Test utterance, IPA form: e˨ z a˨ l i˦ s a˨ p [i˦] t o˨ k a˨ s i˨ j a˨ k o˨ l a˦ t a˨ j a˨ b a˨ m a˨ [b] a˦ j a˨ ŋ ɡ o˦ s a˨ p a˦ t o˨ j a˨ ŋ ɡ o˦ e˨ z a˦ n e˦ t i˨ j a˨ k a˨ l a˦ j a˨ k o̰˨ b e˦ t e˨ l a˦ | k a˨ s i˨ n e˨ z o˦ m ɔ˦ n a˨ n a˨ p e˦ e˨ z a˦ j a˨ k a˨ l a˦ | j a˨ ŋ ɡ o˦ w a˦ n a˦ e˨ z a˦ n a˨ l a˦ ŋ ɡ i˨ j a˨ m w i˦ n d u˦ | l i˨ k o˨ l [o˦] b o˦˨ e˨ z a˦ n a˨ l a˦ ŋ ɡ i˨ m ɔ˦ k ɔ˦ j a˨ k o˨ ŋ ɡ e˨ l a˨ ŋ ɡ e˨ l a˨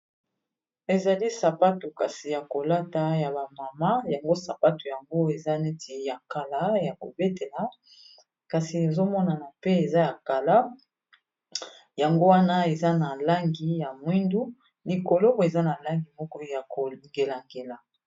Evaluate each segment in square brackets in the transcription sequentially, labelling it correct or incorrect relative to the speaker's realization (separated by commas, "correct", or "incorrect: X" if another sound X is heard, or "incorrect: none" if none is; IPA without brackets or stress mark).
incorrect: a˦, incorrect: m, correct